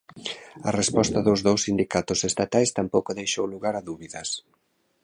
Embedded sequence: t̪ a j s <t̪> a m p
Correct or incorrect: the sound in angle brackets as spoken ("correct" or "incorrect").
correct